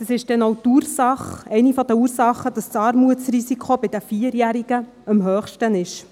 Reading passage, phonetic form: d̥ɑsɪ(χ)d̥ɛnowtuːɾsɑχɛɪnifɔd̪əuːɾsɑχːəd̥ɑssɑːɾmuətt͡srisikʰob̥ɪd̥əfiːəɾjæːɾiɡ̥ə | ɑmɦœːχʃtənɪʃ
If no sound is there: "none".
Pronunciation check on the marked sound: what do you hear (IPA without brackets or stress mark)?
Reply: ʃ